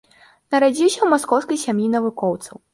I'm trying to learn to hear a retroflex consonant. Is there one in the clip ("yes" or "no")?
no